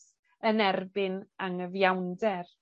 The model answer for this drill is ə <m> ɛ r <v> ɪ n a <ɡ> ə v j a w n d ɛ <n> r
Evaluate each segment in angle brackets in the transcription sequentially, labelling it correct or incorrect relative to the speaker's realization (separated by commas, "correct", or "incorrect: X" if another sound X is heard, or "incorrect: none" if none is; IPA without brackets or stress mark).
incorrect: n, incorrect: b, incorrect: ŋ, incorrect: none